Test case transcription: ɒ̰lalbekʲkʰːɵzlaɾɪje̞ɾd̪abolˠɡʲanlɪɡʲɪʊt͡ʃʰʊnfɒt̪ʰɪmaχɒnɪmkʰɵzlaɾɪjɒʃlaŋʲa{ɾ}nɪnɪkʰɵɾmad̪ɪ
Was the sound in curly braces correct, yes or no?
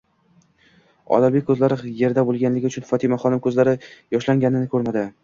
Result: no